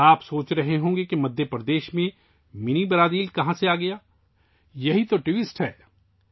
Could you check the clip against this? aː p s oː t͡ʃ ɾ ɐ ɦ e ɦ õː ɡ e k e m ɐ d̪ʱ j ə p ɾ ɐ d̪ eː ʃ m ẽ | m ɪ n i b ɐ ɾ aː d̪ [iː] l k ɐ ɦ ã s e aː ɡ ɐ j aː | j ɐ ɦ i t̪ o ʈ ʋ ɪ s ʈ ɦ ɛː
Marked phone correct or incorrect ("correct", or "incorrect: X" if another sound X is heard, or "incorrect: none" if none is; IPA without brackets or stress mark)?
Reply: correct